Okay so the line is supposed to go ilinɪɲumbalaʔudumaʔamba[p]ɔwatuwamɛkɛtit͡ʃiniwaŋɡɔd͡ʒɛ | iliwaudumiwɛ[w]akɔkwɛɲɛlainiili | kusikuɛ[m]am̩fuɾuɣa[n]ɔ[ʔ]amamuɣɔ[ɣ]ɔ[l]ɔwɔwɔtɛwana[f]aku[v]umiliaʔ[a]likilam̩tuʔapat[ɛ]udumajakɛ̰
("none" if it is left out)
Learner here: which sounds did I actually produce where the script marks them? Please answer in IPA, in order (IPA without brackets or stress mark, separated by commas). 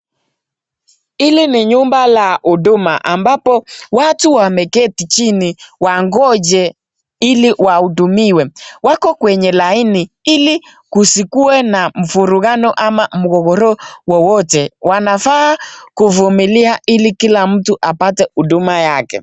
p, w, n, n, ʔ, ɣ, ɾ, f, v, i, ɛ